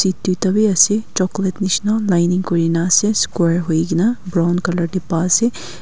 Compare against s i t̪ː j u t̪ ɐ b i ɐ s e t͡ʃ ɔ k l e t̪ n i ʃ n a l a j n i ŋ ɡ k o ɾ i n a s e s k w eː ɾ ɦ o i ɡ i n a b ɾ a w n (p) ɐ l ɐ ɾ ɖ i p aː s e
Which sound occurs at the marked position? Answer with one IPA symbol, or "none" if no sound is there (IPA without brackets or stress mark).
k